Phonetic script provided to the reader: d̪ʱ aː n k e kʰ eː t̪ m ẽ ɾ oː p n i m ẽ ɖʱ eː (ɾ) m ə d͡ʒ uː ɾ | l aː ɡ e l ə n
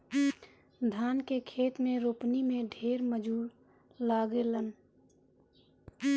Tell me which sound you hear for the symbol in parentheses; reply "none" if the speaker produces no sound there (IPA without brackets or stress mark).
ɾ